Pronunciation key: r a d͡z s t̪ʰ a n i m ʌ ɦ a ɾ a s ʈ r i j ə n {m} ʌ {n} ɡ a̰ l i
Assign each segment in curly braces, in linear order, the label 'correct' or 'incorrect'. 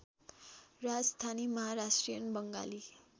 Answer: incorrect, incorrect

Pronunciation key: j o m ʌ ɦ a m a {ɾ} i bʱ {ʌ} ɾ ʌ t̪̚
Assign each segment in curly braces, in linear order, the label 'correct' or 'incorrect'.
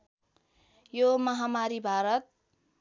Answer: correct, incorrect

